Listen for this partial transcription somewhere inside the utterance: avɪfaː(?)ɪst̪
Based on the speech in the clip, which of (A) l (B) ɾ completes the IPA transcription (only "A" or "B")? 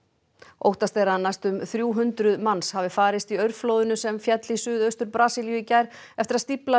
B